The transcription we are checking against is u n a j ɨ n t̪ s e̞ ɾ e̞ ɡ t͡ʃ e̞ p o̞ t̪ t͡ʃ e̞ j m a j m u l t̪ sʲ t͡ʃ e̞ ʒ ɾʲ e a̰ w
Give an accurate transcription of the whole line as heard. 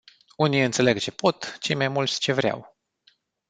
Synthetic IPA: u n i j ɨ n t̪ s e̞ l e̞ ɡ t͡ʃ e̞ p o̞ t̪ t͡ʃ e̞ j m a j m u l t̪ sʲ t͡ʃ e̞ v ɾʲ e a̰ w